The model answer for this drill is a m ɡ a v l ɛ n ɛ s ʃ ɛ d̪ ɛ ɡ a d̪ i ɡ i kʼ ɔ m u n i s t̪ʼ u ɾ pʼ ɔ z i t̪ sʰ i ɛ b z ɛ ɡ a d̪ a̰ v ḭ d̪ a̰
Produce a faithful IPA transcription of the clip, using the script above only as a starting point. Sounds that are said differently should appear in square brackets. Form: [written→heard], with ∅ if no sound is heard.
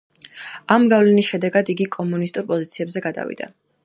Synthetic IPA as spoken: a m ɡ a v l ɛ n [ɛ→i] s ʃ ɛ d̪ ɛ ɡ a d̪ i ɡ i kʼ ɔ m u n i s t̪ʼ u ɾ pʼ ɔ z i t̪ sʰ i ɛ b z ɛ ɡ a d̪ a̰ v ḭ d̪ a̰